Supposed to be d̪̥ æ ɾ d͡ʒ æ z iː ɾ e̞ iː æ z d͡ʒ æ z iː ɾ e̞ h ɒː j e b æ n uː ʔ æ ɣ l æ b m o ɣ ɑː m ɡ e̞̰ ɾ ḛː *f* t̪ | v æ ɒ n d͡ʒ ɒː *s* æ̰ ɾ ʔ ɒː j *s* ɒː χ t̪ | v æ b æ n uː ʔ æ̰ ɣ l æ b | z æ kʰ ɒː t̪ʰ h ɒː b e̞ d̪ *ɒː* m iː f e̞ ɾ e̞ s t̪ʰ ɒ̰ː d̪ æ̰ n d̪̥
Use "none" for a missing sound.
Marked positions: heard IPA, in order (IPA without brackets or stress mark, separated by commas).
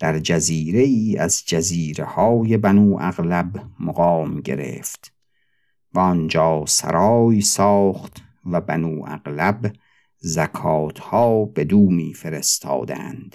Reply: f, s, s, uː